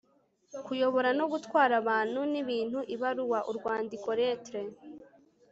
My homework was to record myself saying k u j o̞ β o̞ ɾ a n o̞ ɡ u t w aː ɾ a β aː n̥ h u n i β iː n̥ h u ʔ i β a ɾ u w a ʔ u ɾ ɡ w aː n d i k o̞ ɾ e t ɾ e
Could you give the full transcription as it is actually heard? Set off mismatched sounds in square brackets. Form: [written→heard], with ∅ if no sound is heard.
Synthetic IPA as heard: k u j o̞ β o̞ ɾ a n o̞ ɡ u t w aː ɾ a β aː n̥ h u n i β iː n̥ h u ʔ i β a ɾ u w a ʔ u ɾ ɡ w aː n d i k o̞ ɾ e t ɾ e